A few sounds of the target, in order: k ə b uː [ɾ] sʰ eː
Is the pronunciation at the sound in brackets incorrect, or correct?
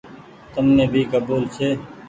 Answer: incorrect